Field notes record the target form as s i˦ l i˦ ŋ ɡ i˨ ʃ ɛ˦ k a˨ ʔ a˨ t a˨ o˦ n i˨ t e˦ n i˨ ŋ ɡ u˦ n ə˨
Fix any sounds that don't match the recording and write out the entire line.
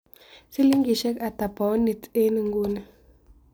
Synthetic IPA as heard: s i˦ l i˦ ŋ ɡ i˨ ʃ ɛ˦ k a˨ t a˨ p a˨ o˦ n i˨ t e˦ n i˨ ŋ ɡ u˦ n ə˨